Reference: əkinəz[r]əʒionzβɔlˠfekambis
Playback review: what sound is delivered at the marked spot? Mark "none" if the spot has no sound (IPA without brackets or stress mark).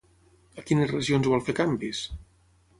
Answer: r